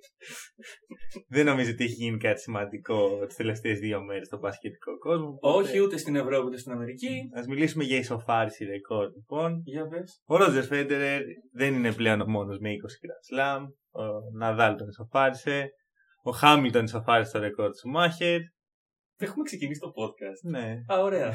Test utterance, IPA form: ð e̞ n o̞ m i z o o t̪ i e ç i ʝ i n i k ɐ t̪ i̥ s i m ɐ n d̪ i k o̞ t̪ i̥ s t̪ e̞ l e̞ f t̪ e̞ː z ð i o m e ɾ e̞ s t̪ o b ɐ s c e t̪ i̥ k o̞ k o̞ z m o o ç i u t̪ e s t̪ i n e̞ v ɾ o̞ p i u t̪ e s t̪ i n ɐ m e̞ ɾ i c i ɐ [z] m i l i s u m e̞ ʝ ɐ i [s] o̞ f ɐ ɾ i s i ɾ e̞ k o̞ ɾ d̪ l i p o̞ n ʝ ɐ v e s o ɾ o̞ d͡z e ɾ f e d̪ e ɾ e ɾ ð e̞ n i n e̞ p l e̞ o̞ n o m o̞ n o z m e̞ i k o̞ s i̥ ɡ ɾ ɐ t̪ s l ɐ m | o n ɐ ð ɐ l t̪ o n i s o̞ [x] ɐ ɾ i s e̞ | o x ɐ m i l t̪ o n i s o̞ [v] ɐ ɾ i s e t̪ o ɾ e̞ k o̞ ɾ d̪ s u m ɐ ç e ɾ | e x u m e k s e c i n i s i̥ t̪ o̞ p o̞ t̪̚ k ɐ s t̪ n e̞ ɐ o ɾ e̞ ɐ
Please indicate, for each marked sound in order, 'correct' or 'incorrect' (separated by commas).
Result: correct, correct, incorrect, incorrect